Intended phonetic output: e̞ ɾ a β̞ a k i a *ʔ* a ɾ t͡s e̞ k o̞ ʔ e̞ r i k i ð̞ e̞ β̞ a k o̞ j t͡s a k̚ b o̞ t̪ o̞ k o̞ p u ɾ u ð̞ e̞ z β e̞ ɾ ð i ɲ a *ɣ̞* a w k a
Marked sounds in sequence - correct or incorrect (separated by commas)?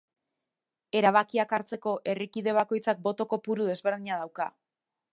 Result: incorrect, incorrect